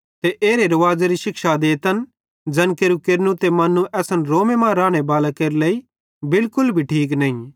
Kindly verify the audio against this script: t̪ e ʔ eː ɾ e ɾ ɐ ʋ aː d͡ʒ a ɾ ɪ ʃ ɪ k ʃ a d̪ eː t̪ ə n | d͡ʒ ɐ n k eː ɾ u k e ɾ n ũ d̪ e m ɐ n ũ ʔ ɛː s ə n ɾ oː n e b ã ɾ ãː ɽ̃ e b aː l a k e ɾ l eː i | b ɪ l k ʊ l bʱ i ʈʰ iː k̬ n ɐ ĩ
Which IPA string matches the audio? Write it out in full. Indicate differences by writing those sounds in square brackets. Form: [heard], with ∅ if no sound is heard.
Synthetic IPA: t̪ e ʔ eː ɾ e ɾ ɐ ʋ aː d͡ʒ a ɾ [i] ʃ ɪ k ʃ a d̪ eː t̪ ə n | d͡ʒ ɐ n k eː ɾ u k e ɾ n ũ [t̪] e m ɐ n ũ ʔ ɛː s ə n ɾ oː [m] e [m] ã ɾ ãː ɽ̃ e b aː l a k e ɾ l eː i | b ɪ l k ʊ l bʱ i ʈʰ iː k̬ n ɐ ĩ